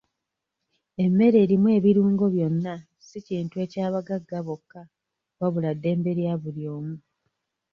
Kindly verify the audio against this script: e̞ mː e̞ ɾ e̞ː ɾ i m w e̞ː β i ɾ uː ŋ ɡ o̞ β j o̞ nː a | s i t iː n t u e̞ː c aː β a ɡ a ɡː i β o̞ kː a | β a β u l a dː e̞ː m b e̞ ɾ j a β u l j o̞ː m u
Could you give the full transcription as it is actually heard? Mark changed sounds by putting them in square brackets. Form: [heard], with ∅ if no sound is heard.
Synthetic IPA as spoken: e̞ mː e̞ ɾ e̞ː ɾ i m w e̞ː β i ɾ uː ŋ ɡ o̞ β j o̞ nː a | s i [c] iː n t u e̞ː c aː β a ɡ a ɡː [a] β o̞ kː a | β a β u l a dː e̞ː m b e̞ ɾ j a β u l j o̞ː m u